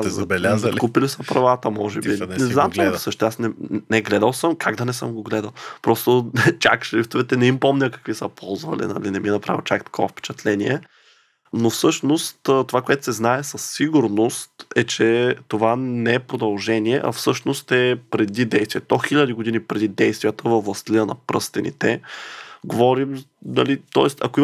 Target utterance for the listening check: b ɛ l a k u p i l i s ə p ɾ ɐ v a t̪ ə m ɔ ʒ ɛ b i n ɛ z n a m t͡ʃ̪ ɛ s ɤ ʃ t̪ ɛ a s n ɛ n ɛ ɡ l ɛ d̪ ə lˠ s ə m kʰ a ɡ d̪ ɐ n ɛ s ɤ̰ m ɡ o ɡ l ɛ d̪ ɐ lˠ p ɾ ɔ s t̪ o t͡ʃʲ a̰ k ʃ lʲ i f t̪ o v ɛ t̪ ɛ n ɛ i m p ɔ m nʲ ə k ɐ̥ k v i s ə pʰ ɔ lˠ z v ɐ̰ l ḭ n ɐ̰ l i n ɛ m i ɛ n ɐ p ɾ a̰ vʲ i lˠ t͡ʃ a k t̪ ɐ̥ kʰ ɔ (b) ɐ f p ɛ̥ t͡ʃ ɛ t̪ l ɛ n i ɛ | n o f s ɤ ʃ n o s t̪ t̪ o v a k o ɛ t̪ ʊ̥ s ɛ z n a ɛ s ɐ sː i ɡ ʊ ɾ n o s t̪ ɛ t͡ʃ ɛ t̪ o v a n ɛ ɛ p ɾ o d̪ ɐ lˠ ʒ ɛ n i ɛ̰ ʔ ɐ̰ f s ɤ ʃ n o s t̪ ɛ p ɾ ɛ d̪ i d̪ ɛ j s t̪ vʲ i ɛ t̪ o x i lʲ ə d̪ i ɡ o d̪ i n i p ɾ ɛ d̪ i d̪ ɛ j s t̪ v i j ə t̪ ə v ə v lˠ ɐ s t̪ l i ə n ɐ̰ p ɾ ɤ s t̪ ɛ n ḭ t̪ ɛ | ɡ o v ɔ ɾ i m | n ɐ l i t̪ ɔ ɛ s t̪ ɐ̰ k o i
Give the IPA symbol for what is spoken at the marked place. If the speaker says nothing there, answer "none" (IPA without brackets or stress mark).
v